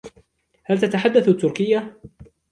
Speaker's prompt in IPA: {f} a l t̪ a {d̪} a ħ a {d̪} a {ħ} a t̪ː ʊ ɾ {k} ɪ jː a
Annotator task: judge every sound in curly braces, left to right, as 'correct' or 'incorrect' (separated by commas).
incorrect, incorrect, incorrect, incorrect, correct